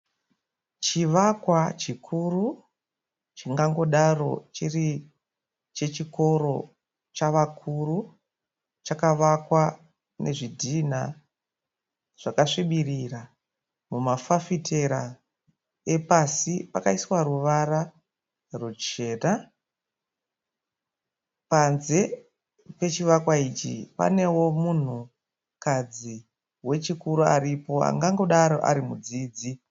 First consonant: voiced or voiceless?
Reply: voiceless